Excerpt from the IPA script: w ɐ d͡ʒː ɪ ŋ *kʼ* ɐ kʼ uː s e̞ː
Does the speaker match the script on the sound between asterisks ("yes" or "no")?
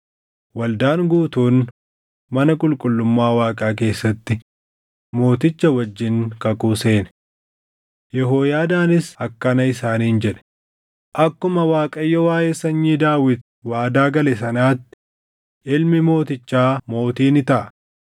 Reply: no